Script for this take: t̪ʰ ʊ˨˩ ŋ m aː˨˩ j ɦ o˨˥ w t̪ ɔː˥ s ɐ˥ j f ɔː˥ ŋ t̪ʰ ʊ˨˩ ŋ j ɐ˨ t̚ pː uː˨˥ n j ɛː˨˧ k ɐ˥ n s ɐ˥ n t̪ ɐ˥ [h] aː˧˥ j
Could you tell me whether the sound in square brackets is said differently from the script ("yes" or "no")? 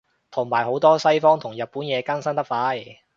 yes